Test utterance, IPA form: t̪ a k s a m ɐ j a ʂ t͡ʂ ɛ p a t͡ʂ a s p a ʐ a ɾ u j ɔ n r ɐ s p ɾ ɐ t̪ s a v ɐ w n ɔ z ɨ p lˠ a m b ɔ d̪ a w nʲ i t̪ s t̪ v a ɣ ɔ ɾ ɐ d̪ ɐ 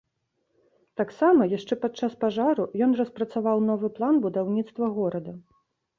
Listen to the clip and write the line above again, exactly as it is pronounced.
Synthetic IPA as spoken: t̪ a k s a m ɐ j a ʂ t͡ʂ ɛ p a t͡ʂ a s p a ʐ a ɾ u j ɔ n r ɐ s p ɾ ɐ t̪ s a v a w n ɔ v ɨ p lˠ a n b u d̪ a w nʲ i t̪ s t̪ v ɐ ɣ ɔ ɾ ɐ d̪ ɐ

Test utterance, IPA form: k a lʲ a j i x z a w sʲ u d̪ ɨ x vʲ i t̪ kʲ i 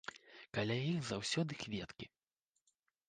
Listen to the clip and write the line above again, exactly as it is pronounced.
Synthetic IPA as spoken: k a lʲ a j i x z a w sʲ ɔ d̪ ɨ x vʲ ɛ t̪ kʲ i

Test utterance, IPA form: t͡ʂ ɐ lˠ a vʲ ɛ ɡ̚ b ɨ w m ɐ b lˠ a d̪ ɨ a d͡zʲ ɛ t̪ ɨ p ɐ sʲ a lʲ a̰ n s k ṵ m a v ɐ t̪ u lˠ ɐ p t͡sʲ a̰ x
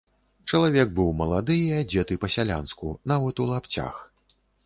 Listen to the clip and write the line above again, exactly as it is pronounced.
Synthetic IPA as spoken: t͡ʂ ɐ lˠ a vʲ ɛ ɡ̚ b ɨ w m ɐ lˠ a d̪ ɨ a d͡zʲ ɛ t̪ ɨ p ɐ sʲ a lʲ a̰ n s k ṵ n a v ɐ t̪ u lˠ a p t͡sʲ a̰ x

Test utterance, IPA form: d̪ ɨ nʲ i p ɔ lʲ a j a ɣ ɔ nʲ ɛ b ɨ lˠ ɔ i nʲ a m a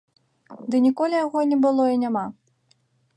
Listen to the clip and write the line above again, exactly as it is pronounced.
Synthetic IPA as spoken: d̪ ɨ nʲ i k ɔ lʲ i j a ɣ ɔ nʲ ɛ b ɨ lˠ ɔ i nʲ a m a

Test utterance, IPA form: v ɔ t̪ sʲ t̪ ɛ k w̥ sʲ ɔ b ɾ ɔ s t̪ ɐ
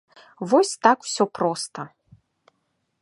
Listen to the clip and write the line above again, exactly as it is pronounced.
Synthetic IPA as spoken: v ɔ sʲ t̪ a k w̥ sʲ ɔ p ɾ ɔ s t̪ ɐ

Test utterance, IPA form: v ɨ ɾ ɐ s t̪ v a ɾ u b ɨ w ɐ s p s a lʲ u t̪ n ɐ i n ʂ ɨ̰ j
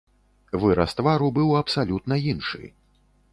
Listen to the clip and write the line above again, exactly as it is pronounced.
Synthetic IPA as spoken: v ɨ ɾ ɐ s t̪ v a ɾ u b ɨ w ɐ p s a lʲ u t̪ n ɐ i n ʂ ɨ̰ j

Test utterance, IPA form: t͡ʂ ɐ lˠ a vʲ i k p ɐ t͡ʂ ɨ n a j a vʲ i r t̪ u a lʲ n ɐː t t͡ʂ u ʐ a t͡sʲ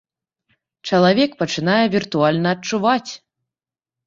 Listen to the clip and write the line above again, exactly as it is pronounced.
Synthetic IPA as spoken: t͡ʂ ɐ lˠ a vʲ ɛ k p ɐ t͡ʂ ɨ n a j ɛ vʲ i r t̪ u a lʲ n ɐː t t͡ʂ u v a t͡sʲ

